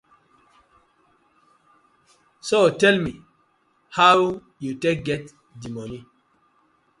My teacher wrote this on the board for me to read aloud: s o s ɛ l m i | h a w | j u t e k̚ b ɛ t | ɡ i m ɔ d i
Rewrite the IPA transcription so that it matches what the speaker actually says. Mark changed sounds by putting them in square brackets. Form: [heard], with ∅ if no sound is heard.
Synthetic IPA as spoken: s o [t] ɛ l m i | h a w | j u t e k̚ [ɡ] ɛ t | [d] i m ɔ [n] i